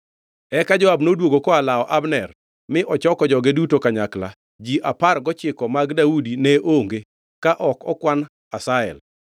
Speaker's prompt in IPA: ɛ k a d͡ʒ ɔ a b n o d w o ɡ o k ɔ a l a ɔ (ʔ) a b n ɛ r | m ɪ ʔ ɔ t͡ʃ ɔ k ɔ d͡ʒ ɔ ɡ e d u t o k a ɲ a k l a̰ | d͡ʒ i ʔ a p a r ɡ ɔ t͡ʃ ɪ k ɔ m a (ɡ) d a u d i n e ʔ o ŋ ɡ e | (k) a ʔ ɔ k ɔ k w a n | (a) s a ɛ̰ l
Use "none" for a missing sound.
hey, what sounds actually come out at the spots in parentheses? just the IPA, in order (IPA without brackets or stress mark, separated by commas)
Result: ʔ, ɡ, k, a